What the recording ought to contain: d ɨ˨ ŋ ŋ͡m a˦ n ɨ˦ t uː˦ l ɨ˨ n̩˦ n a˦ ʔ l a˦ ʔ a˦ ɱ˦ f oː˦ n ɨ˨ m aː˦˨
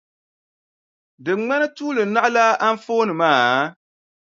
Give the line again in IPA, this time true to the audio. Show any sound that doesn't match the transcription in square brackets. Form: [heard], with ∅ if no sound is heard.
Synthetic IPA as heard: d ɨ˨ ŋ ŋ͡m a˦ n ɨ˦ t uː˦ l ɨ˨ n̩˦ n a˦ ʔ l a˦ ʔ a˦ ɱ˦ f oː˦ n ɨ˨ m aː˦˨